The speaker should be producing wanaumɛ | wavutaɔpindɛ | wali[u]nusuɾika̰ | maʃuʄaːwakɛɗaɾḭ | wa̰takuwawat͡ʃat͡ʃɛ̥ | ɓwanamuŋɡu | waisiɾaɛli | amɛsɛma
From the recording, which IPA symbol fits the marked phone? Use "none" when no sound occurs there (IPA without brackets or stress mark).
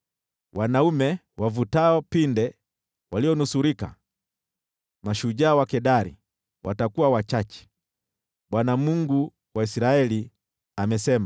ɔ